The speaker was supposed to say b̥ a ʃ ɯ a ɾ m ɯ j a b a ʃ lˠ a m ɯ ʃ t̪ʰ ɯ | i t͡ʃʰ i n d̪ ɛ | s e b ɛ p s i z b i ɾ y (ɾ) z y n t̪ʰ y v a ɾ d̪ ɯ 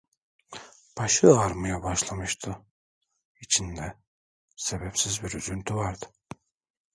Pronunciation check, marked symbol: incorrect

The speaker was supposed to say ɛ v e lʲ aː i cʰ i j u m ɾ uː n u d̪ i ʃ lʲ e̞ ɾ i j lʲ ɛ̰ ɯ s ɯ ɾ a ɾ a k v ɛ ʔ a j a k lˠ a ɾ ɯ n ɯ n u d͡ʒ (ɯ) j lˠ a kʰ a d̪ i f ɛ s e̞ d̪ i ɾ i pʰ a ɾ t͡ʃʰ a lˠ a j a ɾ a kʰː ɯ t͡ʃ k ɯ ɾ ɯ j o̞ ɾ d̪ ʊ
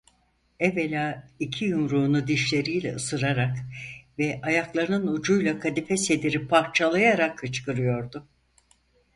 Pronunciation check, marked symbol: incorrect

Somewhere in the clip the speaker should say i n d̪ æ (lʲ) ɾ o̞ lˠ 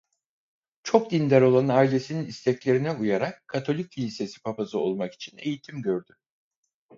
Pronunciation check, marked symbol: incorrect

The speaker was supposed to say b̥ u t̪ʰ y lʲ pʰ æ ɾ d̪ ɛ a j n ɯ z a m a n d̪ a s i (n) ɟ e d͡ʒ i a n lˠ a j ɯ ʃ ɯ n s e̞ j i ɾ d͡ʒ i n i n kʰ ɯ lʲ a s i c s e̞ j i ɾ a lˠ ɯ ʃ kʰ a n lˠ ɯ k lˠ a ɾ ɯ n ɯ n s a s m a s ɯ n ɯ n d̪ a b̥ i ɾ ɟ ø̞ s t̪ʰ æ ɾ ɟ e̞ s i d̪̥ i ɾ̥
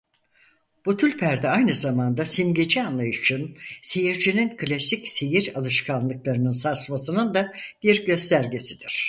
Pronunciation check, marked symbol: incorrect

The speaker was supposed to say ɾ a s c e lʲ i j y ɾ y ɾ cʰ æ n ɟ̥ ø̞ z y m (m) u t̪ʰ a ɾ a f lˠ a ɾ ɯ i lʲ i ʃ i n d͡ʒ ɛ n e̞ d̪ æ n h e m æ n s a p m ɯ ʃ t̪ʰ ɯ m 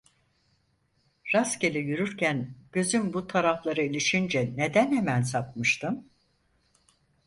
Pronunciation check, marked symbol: incorrect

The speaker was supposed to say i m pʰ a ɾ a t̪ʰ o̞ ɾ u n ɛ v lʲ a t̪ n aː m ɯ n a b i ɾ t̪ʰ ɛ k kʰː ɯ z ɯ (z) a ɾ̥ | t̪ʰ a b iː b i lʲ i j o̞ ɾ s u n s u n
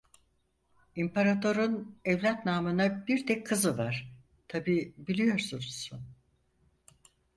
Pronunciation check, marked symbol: incorrect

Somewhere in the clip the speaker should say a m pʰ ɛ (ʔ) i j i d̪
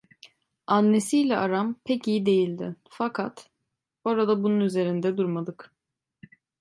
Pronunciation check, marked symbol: incorrect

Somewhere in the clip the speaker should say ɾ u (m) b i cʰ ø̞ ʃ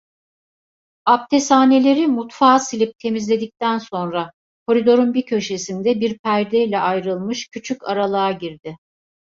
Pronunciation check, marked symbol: incorrect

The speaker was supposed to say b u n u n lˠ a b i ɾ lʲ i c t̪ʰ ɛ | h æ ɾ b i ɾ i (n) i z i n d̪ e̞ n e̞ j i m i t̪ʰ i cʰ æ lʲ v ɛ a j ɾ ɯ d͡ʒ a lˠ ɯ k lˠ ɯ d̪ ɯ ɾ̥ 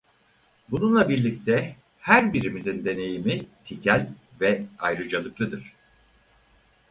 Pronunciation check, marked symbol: incorrect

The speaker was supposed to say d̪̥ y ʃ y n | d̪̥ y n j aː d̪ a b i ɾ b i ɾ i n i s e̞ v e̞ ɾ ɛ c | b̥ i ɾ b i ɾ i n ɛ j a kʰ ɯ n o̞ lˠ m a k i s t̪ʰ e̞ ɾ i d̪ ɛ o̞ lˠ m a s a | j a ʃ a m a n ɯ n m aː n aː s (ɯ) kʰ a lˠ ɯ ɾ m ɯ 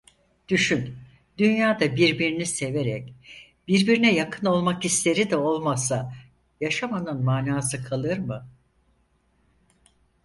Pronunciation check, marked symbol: correct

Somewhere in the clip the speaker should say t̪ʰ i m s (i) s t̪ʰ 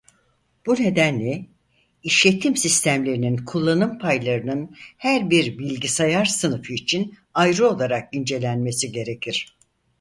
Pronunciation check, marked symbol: correct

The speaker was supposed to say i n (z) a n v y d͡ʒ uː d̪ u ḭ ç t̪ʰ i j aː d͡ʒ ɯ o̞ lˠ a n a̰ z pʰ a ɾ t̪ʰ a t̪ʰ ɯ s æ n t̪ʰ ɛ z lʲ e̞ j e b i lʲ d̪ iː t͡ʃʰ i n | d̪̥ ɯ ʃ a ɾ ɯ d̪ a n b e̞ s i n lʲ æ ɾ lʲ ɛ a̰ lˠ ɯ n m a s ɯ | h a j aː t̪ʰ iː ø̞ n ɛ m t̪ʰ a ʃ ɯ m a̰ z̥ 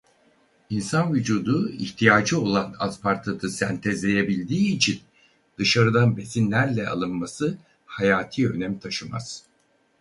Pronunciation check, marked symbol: incorrect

